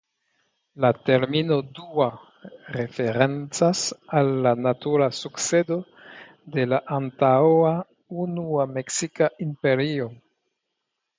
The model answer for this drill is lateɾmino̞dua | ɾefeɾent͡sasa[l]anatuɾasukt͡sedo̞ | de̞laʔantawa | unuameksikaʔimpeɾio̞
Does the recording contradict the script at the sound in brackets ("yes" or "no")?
yes